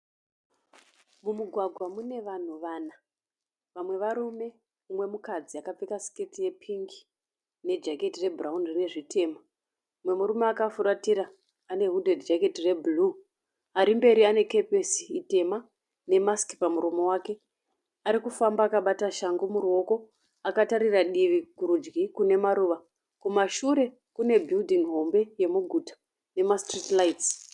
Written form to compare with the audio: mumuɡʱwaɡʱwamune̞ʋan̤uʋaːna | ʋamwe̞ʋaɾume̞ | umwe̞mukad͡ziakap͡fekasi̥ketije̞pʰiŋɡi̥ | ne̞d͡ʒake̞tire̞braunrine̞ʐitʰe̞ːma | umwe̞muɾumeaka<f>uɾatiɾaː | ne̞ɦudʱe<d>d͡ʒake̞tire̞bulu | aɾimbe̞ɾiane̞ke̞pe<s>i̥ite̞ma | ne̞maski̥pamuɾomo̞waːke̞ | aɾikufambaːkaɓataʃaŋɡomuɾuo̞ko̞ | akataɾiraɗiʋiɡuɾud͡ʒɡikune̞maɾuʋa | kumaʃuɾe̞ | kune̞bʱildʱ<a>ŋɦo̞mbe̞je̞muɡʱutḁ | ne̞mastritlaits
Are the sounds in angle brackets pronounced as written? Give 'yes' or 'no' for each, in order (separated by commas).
yes, yes, yes, no